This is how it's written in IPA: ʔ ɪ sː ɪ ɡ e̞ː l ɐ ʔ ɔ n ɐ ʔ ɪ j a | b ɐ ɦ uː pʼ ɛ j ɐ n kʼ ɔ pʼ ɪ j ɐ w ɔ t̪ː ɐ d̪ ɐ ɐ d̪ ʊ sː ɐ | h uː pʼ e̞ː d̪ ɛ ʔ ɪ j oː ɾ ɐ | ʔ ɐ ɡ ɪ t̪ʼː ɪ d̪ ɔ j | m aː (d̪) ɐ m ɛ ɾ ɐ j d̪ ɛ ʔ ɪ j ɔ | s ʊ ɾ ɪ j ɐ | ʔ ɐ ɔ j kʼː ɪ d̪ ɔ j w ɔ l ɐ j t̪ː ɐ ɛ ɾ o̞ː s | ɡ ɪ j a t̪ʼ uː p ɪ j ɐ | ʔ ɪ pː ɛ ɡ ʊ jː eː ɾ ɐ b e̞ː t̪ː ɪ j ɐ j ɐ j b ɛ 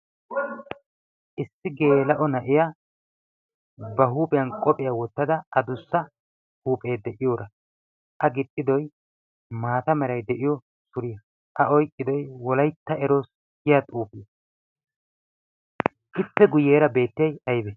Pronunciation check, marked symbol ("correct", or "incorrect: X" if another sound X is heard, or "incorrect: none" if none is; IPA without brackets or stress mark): incorrect: t̪